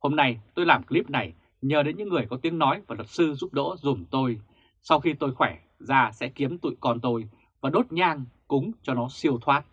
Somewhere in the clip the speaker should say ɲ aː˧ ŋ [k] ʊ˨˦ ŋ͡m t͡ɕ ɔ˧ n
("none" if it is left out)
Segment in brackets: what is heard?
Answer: k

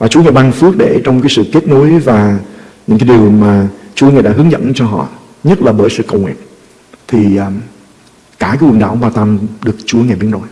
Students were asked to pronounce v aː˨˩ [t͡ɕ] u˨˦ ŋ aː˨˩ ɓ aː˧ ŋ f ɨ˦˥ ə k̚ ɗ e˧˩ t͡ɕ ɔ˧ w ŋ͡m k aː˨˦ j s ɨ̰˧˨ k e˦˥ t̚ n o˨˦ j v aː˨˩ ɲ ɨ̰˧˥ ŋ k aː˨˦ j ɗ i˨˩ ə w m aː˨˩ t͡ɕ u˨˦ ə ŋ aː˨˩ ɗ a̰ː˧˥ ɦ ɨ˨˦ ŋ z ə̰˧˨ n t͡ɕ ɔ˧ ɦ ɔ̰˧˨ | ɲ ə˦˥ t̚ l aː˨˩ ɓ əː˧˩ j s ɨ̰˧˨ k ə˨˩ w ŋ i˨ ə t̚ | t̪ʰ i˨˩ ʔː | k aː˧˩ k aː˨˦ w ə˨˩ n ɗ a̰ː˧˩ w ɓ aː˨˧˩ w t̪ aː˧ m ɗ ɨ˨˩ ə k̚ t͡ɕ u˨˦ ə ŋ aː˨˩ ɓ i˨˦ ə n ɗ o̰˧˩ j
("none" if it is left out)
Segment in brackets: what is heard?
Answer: t͡ɕ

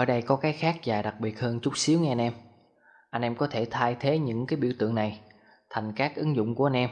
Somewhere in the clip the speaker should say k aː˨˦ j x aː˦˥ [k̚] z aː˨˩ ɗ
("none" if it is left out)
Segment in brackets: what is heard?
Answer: k̚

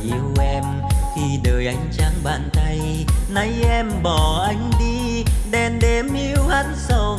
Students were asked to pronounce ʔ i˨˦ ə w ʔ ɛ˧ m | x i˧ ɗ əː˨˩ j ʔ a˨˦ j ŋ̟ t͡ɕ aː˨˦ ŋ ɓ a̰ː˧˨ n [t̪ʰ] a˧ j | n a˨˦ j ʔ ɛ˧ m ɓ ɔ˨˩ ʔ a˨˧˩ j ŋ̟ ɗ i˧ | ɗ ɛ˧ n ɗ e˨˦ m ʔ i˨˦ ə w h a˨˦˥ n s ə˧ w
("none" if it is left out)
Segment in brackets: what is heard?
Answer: t̪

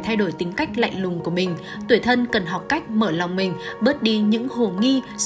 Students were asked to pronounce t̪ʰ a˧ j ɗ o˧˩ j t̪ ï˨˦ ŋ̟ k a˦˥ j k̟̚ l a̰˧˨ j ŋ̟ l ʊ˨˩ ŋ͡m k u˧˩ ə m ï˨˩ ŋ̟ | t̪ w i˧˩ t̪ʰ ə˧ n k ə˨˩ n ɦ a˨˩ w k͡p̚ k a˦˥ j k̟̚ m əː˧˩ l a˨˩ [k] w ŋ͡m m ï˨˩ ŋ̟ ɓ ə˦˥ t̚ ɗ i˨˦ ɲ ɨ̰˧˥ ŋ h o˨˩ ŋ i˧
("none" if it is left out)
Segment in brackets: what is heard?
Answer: none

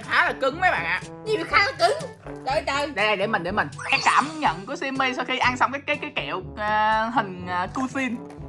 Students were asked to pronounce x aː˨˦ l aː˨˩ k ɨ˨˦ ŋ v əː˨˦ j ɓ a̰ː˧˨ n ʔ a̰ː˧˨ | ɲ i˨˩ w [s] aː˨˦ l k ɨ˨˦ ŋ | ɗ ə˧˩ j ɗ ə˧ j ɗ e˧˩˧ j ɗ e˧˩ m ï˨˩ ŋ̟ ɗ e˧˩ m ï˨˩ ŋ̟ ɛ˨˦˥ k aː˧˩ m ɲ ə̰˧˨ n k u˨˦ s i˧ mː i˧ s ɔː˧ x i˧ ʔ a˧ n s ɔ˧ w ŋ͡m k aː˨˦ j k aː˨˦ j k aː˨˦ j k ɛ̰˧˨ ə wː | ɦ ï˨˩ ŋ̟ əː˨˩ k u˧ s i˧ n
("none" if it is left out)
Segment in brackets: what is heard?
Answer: x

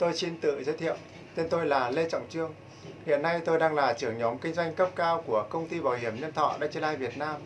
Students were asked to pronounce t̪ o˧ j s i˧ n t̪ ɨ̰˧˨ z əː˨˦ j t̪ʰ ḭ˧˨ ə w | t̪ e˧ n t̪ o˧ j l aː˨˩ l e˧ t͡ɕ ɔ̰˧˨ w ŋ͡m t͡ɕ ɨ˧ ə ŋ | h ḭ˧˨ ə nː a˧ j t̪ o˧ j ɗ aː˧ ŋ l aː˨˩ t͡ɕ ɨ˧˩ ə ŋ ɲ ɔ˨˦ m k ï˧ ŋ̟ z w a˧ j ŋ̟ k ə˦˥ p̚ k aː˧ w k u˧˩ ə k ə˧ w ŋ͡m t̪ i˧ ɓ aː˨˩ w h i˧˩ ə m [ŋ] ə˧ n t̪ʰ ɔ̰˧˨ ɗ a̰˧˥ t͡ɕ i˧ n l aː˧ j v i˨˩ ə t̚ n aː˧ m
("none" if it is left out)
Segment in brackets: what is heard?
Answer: ɲ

